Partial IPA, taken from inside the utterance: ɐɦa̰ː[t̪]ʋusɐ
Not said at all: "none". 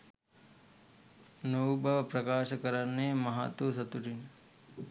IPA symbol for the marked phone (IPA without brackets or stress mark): t̪